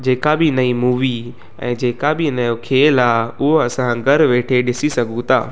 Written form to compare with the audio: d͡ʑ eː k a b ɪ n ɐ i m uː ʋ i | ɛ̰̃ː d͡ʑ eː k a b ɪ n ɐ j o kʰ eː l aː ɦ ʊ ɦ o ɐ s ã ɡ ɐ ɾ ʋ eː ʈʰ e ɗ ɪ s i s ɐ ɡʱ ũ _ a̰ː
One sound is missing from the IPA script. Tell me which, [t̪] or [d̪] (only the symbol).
t̪